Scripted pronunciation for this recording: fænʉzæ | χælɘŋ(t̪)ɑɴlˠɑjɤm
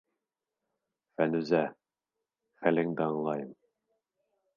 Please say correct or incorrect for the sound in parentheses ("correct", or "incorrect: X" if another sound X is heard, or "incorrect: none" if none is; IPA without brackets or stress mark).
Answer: incorrect: d̪